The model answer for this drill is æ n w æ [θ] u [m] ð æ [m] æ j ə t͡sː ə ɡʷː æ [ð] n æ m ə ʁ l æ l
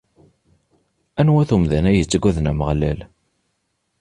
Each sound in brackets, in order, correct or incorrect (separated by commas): correct, correct, incorrect, correct